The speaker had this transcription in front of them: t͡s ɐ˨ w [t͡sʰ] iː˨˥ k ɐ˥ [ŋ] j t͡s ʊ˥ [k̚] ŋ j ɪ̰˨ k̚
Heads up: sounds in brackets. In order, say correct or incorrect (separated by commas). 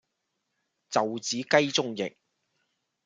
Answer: incorrect, incorrect, incorrect